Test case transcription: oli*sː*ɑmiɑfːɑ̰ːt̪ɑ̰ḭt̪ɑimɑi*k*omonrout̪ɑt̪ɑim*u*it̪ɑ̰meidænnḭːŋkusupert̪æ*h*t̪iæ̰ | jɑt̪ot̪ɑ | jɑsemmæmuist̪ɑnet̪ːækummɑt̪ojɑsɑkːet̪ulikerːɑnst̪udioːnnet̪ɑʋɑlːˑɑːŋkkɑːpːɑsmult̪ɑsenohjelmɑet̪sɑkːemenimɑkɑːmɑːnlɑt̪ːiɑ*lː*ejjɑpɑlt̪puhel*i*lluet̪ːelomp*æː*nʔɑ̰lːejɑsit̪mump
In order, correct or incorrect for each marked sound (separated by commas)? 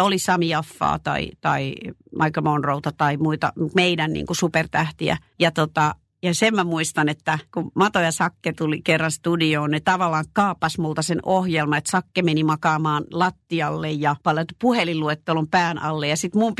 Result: incorrect, correct, correct, correct, correct, correct, correct